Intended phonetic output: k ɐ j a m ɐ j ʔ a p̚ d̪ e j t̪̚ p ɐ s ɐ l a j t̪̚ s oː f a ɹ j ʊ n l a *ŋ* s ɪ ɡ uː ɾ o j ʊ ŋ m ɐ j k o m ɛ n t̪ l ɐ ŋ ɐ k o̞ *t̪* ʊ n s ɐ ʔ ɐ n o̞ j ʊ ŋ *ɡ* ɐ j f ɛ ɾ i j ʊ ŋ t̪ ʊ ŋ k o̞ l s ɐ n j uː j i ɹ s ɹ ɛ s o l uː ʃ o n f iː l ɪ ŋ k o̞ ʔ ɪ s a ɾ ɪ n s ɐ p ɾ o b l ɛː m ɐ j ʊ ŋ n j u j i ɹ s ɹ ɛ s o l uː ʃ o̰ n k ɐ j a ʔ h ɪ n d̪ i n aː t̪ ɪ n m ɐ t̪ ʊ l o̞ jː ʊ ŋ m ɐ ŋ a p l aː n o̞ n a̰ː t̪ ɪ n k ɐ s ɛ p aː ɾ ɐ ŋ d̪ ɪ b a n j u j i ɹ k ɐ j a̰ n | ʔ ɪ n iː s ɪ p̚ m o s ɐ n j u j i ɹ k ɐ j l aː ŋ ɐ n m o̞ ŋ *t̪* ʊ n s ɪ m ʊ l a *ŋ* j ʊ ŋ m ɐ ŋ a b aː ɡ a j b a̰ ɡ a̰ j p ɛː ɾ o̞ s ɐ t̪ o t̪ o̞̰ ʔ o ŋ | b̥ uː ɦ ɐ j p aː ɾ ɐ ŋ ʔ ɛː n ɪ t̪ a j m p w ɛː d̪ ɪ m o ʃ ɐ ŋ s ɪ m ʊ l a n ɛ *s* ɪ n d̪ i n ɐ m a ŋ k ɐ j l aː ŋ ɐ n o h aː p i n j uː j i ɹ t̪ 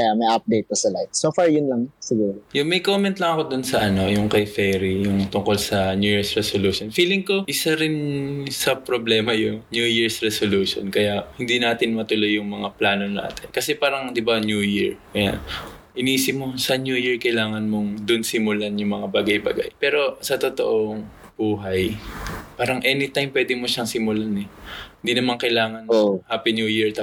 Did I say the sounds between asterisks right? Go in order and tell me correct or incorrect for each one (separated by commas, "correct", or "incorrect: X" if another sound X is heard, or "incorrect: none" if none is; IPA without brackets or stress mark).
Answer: correct, incorrect: d̪, incorrect: k, incorrect: d̪, incorrect: n, incorrect: h